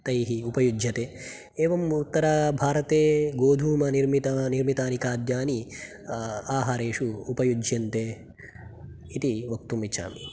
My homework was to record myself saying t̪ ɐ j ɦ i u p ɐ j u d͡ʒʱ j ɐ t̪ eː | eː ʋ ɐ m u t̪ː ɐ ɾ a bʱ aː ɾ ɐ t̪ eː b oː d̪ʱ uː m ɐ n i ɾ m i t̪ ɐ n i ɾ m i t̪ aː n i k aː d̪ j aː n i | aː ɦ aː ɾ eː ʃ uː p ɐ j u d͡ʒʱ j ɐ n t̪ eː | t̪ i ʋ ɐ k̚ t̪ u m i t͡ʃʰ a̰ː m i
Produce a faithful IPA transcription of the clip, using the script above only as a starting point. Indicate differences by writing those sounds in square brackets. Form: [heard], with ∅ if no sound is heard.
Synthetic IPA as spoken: t̪ ɐ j ɦ i u p ɐ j u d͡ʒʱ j ɐ t̪ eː | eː ʋ ɐ m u t̪ː ɐ ɾ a bʱ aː ɾ ɐ t̪ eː [ɡ] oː d̪ʱ uː m ɐ n i ɾ m i t̪ ɐ n i ɾ m i t̪ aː n i k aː d̪ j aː n i | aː ɦ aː ɾ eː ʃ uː p ɐ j u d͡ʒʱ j ɐ n t̪ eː | t̪ i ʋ ɐ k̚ t̪ u m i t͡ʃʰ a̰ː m i